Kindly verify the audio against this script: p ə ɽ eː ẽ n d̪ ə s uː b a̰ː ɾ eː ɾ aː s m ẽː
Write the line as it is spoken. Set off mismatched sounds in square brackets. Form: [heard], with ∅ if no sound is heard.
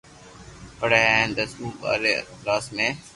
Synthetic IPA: p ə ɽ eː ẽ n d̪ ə s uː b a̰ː ɾ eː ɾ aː s m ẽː